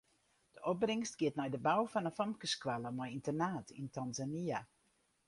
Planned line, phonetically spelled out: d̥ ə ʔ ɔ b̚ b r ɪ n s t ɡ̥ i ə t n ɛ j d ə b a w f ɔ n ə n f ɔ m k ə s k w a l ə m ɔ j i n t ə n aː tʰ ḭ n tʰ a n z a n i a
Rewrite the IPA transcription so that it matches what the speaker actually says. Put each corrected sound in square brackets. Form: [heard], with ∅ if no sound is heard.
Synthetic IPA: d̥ ə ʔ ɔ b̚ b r ɪ [ŋ] s t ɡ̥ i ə t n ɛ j d ə b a w f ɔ n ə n f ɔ m k ə s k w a l ə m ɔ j i n t ə n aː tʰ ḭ n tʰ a n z a n i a